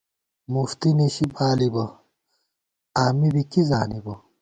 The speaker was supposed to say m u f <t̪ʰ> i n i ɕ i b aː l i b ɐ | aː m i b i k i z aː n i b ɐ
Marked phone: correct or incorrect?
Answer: incorrect